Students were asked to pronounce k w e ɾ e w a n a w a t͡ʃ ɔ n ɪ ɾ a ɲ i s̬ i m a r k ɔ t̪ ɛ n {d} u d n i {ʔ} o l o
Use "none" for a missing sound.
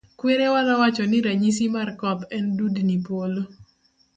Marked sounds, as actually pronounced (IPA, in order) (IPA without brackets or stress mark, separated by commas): d, p